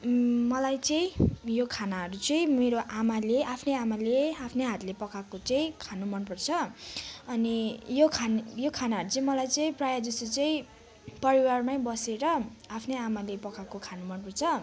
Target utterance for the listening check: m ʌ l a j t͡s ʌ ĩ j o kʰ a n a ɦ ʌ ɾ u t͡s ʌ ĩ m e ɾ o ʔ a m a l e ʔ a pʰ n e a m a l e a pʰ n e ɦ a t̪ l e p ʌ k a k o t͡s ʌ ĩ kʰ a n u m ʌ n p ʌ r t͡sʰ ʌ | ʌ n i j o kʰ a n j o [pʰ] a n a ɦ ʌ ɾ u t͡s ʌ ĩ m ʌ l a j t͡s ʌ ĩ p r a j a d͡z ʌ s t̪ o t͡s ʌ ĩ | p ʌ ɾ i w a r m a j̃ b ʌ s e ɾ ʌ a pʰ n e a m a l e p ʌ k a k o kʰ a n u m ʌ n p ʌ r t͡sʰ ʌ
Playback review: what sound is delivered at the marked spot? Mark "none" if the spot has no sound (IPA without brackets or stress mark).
kʰ